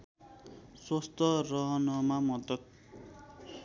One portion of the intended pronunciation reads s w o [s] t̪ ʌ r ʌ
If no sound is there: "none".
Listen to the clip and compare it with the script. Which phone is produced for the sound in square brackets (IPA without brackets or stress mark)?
s